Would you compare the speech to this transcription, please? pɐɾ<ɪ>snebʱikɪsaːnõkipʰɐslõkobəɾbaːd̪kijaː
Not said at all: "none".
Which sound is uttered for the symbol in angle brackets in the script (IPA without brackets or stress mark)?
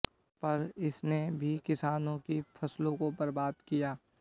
ɪ